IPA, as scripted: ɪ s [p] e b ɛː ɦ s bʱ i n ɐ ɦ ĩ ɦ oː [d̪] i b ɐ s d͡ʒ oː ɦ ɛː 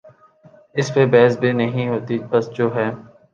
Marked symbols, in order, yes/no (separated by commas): yes, no